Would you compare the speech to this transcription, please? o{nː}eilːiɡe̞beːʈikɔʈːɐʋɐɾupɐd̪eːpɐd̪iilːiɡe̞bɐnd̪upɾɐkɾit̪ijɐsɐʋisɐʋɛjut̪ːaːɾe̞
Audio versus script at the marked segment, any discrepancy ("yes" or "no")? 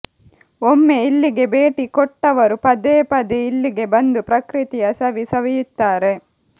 yes